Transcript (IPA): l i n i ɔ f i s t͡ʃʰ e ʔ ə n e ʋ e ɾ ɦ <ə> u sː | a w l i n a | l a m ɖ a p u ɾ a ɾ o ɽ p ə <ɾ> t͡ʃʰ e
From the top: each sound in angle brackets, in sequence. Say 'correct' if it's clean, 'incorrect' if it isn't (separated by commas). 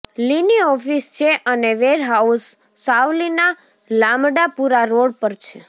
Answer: incorrect, correct